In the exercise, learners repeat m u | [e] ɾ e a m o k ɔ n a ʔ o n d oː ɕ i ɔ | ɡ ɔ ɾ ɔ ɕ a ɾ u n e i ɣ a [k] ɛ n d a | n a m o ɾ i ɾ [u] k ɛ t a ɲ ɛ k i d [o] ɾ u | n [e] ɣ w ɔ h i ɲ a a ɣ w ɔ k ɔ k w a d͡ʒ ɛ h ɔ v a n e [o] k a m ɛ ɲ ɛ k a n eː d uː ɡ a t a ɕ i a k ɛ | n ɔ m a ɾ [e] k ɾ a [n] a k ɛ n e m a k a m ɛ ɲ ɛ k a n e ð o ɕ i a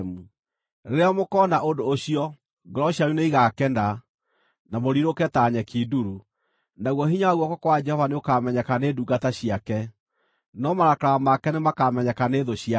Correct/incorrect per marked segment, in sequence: correct, correct, incorrect: o, incorrect: u, incorrect: a, correct, incorrect: a, incorrect: m

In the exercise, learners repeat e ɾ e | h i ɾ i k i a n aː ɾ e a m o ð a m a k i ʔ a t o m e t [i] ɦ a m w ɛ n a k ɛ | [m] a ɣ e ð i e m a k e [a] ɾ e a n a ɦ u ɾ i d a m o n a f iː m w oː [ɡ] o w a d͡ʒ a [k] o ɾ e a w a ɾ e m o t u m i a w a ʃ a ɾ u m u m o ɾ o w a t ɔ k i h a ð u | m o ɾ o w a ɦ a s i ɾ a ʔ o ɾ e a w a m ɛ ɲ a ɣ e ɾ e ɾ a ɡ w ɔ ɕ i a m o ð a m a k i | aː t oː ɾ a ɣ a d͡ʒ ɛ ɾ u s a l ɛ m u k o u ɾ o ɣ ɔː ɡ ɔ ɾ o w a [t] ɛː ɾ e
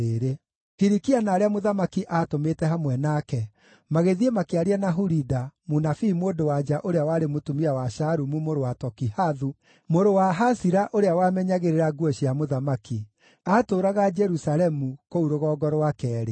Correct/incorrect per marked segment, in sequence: incorrect: ɛ, correct, correct, incorrect: d, incorrect: ʔ, incorrect: k

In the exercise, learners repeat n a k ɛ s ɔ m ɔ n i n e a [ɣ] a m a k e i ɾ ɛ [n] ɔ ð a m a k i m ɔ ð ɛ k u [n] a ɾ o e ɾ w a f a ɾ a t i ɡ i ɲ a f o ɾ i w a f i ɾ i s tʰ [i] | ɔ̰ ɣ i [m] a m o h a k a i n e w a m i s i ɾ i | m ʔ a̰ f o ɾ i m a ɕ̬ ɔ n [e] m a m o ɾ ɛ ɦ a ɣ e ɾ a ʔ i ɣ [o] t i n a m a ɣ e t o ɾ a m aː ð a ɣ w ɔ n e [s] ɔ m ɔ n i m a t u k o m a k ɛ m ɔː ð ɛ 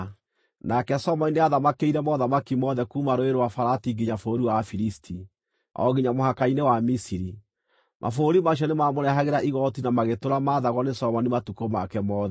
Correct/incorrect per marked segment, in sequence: incorrect: ð, incorrect: m, incorrect: m, correct, incorrect: ɲ, correct, incorrect: ɔ, correct

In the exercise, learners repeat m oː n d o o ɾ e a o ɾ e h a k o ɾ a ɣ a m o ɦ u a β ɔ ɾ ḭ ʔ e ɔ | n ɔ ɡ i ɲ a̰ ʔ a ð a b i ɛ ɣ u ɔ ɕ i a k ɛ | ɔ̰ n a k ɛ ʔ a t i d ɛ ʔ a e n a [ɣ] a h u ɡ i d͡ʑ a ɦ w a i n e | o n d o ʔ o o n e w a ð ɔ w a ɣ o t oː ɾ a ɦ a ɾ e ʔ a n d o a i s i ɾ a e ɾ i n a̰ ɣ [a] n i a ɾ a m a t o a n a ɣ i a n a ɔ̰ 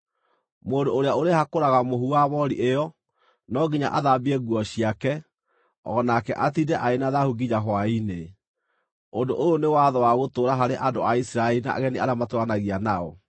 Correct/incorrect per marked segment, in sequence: incorrect: ð, incorrect: ɛ

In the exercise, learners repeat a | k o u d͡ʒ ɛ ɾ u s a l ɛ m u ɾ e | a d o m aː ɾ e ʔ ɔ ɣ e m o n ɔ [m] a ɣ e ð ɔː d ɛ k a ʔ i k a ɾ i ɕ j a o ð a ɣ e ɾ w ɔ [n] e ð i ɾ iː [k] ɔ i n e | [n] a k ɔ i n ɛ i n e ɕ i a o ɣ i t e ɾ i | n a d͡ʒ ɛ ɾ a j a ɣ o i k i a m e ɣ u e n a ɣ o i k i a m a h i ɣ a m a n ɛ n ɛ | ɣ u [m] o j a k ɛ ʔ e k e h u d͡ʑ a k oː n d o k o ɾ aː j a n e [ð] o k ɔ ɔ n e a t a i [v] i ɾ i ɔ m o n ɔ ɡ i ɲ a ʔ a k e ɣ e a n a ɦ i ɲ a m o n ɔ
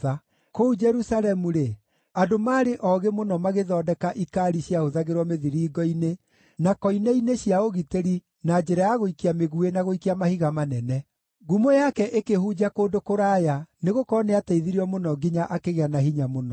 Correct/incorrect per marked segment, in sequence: correct, incorrect: m, incorrect: ɡ, correct, correct, incorrect: ɣ, incorrect: ð

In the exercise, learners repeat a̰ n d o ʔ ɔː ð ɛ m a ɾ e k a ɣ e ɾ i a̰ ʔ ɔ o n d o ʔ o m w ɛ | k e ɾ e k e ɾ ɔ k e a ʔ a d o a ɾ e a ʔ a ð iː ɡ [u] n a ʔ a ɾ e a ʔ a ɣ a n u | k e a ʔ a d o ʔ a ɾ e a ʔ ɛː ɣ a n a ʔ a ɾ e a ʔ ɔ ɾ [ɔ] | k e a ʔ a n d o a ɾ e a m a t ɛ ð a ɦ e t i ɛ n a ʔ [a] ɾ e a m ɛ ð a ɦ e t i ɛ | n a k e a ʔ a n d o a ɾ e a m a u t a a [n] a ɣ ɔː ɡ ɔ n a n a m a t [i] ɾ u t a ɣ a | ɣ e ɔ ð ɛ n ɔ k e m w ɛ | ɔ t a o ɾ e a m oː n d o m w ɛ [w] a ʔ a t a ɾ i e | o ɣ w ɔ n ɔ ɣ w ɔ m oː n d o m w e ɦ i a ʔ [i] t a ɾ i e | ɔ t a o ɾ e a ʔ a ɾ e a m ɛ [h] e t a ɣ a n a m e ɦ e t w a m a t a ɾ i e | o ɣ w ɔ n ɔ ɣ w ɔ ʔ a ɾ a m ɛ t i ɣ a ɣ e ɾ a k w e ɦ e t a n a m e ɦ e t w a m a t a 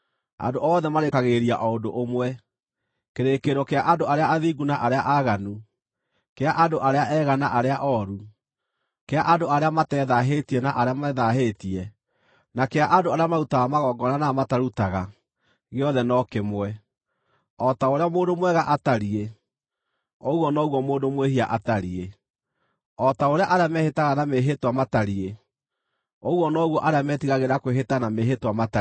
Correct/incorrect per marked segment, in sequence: correct, incorrect: u, correct, incorrect: m, incorrect: a, incorrect: ɣ, incorrect: a, correct

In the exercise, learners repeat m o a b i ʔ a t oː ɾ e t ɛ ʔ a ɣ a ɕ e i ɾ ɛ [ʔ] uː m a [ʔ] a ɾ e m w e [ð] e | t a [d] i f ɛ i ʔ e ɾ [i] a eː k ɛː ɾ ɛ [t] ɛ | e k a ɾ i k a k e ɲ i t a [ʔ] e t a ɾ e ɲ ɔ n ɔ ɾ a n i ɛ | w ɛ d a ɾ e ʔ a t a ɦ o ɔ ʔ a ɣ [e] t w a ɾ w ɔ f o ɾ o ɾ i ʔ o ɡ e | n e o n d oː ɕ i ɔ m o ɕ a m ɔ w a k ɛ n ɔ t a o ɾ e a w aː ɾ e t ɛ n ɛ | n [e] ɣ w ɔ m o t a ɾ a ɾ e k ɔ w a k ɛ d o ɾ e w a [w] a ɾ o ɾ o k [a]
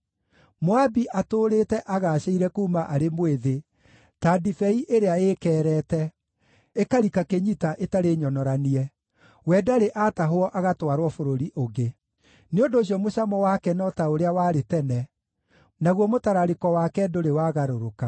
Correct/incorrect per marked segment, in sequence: incorrect: k, correct, correct, correct, incorrect: e, correct, correct, incorrect: a, incorrect: a, incorrect: ɣ, correct

